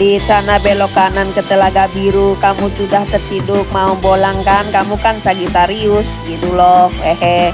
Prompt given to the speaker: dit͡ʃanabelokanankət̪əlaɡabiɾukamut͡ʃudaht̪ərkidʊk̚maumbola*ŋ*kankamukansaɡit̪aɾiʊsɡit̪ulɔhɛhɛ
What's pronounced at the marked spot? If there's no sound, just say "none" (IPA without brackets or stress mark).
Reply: ŋ